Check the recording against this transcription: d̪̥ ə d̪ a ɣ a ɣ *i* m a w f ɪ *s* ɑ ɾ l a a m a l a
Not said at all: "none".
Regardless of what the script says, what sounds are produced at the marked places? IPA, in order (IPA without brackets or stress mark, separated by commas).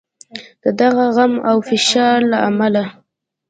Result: a, ʃ